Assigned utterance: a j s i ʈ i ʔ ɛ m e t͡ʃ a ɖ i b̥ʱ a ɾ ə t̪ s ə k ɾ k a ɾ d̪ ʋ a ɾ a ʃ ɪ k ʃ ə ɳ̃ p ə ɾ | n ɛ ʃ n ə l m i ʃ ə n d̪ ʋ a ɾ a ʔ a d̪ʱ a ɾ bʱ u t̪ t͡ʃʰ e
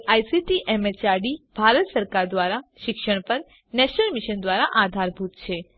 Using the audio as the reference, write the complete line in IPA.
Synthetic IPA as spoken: a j s i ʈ i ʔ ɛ m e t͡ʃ a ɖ i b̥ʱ a ɾ ə t̪ s ə ɾ k a ɾ d̪ ʋ a ɾ a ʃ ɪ k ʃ ə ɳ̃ p ə ɾ | n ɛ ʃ n ə l m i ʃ ə n d̪ ʋ a ɾ a ʔ a d̪ʱ a ɾ bʱ u t̪ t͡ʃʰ e